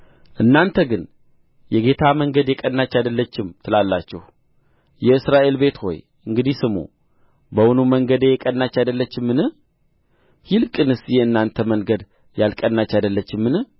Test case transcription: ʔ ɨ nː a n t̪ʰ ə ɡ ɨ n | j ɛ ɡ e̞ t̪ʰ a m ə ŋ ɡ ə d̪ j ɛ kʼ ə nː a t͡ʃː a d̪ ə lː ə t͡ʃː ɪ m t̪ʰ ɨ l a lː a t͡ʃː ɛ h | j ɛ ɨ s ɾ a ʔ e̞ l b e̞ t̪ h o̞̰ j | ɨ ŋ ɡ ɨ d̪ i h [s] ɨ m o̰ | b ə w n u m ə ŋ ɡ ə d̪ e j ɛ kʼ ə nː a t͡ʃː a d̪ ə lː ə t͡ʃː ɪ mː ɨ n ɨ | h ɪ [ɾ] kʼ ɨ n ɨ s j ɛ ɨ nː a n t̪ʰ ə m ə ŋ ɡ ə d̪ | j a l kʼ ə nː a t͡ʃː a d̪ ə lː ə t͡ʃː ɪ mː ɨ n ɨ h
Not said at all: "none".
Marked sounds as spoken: s, l

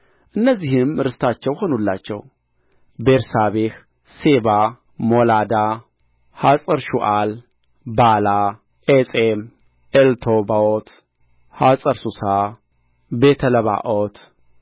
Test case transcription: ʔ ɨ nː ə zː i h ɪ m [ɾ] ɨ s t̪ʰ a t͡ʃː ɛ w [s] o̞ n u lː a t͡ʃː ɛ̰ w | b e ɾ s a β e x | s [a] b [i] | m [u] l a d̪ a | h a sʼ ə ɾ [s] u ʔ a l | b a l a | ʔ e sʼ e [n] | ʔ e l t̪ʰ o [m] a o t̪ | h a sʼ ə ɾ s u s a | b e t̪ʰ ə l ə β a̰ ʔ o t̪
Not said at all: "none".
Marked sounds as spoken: ɾ, h, e, a, o, ʃ, m, b

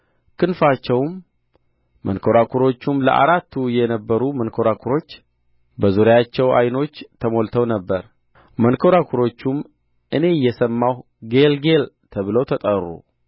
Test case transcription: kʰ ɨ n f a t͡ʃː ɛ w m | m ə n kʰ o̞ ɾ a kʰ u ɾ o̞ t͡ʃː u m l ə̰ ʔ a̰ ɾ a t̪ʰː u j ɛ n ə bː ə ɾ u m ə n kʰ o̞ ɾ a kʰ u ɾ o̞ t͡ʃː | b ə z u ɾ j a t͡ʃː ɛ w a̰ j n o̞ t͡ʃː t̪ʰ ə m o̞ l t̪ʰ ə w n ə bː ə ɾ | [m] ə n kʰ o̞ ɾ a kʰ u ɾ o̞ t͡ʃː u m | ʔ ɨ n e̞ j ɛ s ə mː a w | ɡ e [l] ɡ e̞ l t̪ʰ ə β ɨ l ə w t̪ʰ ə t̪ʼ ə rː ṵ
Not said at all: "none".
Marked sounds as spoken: m, l

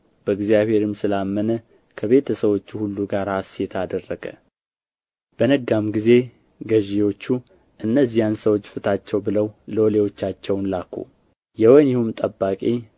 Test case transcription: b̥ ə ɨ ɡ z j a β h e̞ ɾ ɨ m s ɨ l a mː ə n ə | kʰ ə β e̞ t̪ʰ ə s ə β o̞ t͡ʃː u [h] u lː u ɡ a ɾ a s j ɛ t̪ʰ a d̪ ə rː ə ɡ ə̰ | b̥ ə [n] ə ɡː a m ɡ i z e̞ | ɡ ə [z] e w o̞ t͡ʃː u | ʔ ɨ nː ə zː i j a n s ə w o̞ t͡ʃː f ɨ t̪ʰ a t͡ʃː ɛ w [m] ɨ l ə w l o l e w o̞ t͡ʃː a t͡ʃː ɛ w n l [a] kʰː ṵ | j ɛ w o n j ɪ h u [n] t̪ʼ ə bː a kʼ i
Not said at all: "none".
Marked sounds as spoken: h, n, ʒ, b, a, m

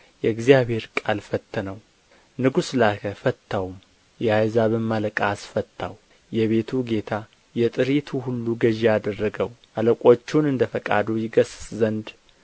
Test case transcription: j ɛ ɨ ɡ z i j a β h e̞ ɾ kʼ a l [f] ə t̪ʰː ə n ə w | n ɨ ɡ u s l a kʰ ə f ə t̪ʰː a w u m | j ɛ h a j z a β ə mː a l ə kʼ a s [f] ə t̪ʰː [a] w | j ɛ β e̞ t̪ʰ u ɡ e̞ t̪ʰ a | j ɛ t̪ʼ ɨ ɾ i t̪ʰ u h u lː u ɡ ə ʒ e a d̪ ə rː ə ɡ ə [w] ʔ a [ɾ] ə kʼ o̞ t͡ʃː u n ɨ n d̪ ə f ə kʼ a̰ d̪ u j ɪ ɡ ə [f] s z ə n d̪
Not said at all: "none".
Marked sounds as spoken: f, f, a, w, l, s

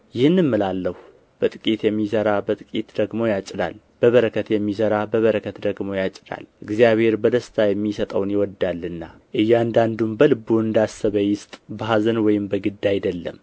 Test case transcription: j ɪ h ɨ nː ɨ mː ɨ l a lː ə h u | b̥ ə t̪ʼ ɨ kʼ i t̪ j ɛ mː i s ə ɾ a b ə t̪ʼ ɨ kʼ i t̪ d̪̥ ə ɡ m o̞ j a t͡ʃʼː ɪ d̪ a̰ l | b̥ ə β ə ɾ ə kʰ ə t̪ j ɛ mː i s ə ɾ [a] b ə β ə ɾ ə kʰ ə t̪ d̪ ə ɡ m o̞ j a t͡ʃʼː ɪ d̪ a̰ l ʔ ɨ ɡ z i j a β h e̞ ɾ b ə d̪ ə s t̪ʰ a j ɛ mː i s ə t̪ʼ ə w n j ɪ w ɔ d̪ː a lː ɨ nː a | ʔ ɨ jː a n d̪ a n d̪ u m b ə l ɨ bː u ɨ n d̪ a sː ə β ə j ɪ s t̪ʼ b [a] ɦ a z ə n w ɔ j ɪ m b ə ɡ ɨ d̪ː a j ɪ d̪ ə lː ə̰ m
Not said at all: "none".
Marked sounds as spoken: a, ə

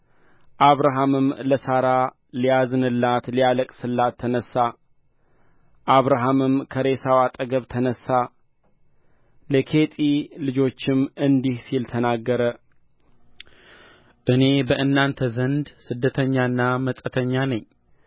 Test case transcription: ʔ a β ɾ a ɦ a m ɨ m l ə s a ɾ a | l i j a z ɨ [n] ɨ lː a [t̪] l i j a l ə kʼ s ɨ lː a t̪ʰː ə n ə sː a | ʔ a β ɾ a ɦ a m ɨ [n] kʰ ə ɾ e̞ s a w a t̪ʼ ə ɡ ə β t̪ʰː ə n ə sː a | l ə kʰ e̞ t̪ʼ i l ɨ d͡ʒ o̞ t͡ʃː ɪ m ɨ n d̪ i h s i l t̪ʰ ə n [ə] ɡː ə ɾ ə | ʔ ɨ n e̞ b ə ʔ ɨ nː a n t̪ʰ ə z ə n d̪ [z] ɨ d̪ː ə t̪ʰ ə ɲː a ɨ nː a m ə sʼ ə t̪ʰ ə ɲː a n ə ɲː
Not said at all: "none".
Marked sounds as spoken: n, t̪, m, a, s

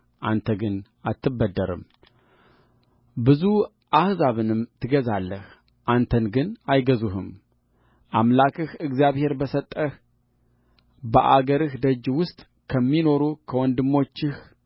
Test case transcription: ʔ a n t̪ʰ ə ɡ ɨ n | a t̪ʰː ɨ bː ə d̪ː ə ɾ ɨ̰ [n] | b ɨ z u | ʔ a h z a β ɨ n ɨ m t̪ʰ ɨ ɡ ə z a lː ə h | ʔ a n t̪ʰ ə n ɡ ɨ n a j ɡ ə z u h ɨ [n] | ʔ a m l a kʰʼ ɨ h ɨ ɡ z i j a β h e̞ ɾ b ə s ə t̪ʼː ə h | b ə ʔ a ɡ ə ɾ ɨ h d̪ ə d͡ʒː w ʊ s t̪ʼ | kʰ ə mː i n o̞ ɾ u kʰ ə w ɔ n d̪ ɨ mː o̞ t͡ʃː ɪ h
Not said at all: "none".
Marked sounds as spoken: m, m

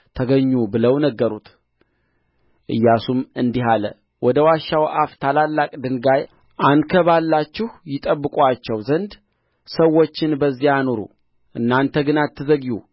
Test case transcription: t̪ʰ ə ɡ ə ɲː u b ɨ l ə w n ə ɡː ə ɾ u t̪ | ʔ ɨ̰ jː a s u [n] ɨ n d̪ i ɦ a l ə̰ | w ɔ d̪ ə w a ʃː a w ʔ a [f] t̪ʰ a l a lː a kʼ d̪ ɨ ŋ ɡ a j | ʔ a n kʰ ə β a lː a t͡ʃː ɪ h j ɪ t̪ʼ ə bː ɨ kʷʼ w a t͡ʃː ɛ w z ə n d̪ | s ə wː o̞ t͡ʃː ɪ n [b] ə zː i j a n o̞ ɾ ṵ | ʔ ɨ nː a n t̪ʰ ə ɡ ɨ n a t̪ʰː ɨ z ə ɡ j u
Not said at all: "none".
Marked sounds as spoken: m, f, b

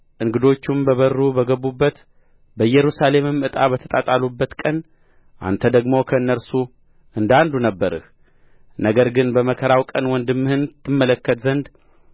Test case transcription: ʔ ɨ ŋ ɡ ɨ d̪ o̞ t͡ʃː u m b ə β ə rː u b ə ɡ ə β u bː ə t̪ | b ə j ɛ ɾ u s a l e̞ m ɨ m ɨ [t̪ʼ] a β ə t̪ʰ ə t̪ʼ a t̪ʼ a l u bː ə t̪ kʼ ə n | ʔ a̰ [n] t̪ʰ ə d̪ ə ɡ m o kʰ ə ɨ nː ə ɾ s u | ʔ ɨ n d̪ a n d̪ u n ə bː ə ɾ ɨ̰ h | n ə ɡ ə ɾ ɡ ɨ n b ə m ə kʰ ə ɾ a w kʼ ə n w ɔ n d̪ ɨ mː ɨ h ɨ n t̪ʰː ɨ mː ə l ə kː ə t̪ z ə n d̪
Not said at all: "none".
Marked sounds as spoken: t̪ʼ, n

